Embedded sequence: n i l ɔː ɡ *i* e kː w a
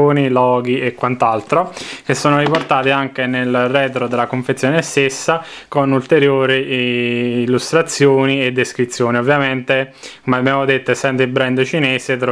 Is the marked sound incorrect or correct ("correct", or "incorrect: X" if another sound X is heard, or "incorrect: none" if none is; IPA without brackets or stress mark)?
correct